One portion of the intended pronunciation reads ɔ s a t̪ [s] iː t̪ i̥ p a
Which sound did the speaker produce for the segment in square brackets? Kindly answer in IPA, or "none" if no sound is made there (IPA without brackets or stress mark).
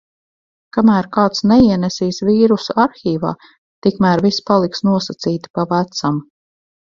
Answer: s